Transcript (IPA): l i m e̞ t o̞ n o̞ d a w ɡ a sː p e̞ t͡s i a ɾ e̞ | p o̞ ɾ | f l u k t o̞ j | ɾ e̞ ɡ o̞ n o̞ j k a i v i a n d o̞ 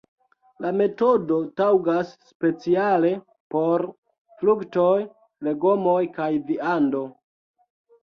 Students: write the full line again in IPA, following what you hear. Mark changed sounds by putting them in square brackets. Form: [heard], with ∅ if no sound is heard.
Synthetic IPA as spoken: l [a] m e̞ t o̞ [d] o̞ [t] a w ɡ a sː p e̞ t͡s i a [l] e̞ | p o̞ ɾ | f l u k t o̞ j | [l] e̞ ɡ o̞ [m] o̞ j k a [j] v i a n d o̞